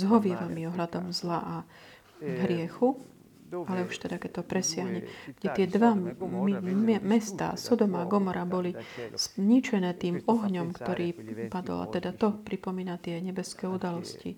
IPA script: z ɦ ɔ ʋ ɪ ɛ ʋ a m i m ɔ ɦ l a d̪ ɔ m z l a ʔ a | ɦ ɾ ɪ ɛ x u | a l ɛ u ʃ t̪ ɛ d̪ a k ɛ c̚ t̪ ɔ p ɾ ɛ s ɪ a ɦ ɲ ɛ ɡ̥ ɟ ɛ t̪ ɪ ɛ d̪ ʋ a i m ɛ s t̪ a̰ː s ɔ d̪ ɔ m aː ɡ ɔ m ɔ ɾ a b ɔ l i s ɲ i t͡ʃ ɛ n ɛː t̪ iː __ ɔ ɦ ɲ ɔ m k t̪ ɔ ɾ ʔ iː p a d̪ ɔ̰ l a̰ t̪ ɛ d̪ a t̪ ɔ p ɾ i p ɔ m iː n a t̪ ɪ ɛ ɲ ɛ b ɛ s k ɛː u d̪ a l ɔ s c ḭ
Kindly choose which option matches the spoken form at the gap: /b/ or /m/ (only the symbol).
m